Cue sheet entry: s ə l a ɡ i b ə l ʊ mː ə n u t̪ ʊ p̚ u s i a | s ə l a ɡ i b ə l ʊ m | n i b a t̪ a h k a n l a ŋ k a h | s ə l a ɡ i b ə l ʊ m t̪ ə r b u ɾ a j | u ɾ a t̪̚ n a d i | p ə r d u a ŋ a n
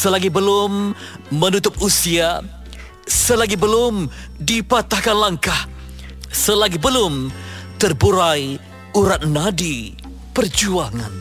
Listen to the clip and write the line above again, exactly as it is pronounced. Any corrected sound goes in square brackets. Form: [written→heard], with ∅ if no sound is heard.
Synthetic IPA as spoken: s ə l a ɡ i b ə l ʊ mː ə n u t̪ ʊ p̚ u s i a | s ə l a ɡ i b ə l ʊ m | [n→d] i [b→p] a t̪ a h k a n l a ŋ k a h | s ə l a ɡ i b ə l ʊ m t̪ ə r b u ɾ a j | u ɾ a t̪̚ n a d i | p ə r [d→d͡ʒ] u a ŋ a n